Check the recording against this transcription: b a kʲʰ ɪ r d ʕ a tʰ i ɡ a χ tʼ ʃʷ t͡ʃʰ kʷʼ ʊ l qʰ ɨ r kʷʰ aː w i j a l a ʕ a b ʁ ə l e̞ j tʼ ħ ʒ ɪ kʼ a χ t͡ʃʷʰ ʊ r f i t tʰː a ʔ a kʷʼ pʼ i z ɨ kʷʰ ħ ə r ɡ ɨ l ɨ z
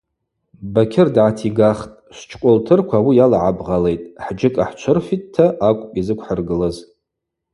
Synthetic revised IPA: b a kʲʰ ɪ r d ʕ a tʰ i ɡ a χ tʼ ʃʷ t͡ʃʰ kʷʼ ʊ l tʰ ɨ r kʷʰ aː w i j a l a ʕ a b ʁ a l e̞ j tʼ ħ d͡ʒ ɪ kʼ a ħ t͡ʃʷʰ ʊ r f i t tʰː a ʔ a kʷʼ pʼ i z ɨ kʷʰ ħ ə r ɡ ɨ l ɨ z

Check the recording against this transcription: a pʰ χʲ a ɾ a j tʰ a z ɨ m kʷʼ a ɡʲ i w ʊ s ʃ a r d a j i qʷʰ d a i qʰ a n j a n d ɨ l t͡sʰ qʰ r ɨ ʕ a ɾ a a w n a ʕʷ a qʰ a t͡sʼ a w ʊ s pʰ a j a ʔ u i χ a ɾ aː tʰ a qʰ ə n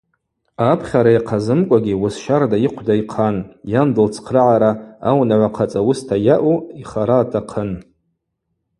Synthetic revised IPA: a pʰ χʲ a ɾ a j qʰ a z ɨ m kʷʼ a ɡʲ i w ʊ s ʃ a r d a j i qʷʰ d a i qʰ a n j a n d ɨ l t͡sʰ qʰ r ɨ ʕ a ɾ a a w n a ʕʷ a qʰ a t͡sʼ a w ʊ s tʰ a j a ʔ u i χ a ɾ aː tʰ a qʰ ə n

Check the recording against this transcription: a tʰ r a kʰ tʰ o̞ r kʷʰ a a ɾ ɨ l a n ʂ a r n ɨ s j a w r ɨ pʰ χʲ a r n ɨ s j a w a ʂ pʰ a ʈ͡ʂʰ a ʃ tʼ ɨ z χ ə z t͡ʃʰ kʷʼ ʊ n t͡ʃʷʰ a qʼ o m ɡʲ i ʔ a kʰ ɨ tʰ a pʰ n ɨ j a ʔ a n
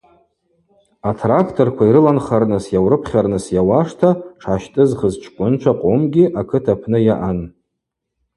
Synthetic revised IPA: a tʰ r a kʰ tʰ o̞ r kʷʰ a i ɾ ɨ l a n χ a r n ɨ s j a w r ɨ pʰ χʲ a r n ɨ s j a w a ʂ tʰ a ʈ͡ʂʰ a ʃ tʼ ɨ z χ ə z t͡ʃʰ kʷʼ ʊ n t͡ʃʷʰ a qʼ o m ɡʲ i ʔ a kʰ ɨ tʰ a pʰ n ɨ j a ʔ a n

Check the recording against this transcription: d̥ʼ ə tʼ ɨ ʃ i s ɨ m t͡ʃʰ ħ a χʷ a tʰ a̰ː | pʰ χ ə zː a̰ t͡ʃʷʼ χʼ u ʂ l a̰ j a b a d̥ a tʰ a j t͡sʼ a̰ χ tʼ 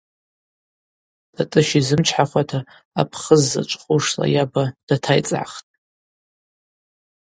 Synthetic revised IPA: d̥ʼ a tʼ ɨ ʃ i z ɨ m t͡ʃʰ ħ a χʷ a tʰ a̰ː | pʰ χ ə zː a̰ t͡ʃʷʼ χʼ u ʂ l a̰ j a b a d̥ a tʰ a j t͡sʼ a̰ χ tʼ

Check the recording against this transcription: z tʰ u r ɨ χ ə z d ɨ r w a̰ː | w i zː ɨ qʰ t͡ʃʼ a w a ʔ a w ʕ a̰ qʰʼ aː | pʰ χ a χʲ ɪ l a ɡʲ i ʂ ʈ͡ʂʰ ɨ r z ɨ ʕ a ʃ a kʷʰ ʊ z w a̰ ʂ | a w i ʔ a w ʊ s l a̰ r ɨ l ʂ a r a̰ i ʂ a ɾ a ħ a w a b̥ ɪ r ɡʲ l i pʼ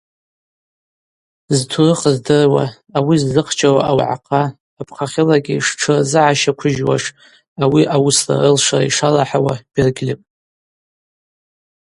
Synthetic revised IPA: z tʰ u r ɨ χ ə z d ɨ r w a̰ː | w i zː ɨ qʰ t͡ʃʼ a w a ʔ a w ʕ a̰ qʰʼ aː | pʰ χ a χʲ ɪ l a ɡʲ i ʂ ʈ͡ʂʰ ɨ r z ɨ ʕ a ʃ a kʷʰ ʊ ʒ w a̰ ʂ | a w i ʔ a w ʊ s l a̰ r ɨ l ʂ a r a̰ i ʂ a l a ħ a w a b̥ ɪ r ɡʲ l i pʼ

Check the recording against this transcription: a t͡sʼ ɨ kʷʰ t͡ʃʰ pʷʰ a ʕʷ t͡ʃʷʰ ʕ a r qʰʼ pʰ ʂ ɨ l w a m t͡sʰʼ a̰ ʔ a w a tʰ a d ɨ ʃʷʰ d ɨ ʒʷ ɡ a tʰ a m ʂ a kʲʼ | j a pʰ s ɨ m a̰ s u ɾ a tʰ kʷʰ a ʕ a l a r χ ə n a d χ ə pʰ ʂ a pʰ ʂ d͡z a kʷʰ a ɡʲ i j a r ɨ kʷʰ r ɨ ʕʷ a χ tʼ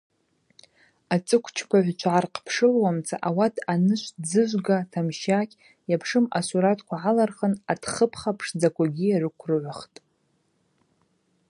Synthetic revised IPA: a t͡sʼ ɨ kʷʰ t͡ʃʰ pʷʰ a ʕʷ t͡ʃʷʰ ʕ a r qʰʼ pʰ ʂ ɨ l w a m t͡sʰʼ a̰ ʔ a w a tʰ a n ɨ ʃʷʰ d͡z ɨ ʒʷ ɡ a tʰ a m ʃ a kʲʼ | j a pʰ ʂ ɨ m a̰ s u ɾ a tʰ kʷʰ a ʕ a l a r χ ə n a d χ ə pʰ χ a pʰ ʂ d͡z a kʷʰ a ɡʲ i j a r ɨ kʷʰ r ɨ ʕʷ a χ tʼ

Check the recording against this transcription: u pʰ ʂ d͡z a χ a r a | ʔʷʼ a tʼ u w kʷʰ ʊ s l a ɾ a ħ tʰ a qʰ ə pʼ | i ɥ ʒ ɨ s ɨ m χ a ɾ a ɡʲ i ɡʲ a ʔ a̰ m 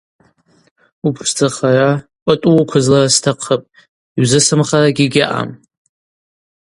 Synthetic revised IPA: u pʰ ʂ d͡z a χ a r a | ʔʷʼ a tʼ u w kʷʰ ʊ z l a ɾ a s tʰ a qʰ ə pʼ | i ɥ z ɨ s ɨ m χ a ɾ a ɡʲ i ɡʲ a ʔ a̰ m

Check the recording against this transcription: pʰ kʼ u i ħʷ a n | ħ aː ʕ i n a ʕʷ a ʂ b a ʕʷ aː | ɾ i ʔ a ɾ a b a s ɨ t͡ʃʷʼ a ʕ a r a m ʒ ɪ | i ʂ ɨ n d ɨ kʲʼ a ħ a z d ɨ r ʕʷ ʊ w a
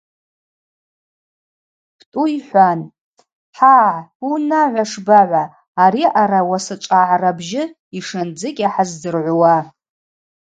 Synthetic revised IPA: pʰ tʼ u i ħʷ a n | ħ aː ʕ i n a ʕʷ a ʂ b a ʕʷ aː | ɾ i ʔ a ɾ a w a s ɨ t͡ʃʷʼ a ʕ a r a b ʒ ɪ | i ʂ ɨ n d͡z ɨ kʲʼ a ħ a z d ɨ r ʕʷ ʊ w a

